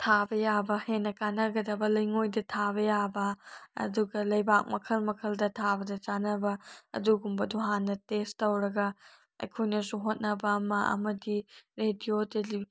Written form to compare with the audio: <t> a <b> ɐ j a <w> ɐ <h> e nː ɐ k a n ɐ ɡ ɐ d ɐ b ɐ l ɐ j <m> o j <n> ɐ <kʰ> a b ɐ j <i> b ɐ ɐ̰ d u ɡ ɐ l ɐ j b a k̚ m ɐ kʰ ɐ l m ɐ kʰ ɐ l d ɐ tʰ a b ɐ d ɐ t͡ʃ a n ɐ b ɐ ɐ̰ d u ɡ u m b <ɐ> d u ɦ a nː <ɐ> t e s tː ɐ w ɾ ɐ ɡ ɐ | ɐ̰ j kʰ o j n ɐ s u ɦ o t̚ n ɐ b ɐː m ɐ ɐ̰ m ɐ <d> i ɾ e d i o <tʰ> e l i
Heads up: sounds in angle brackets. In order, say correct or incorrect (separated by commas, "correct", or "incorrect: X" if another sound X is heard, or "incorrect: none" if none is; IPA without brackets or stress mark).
incorrect: tʰ, correct, incorrect: b, correct, incorrect: ŋ, incorrect: d, incorrect: tʰ, incorrect: a, correct, correct, correct, incorrect: t